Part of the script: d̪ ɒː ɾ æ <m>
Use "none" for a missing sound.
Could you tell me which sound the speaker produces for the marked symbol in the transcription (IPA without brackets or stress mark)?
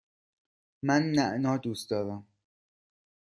m